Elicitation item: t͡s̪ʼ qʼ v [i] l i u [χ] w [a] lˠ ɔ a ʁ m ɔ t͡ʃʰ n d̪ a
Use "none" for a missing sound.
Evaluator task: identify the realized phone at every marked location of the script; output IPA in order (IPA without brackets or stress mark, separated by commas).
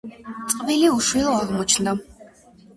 i, ʃ, i